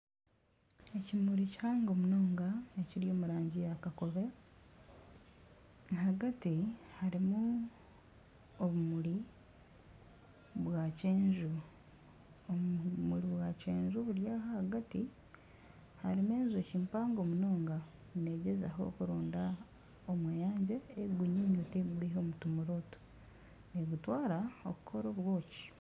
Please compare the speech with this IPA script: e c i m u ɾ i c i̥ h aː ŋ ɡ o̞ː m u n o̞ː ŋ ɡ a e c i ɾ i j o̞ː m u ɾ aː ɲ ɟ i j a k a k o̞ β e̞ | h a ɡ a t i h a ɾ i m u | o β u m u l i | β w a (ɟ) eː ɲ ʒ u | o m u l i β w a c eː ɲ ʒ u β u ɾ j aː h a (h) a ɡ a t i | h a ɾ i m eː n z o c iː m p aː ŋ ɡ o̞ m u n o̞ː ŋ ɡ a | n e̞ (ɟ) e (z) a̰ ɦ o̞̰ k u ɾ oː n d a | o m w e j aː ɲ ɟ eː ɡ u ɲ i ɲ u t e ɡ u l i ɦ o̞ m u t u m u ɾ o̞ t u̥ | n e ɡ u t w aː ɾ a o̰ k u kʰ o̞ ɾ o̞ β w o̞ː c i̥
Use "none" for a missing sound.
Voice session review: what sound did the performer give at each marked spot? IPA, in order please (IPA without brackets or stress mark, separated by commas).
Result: c, h, ɟ, z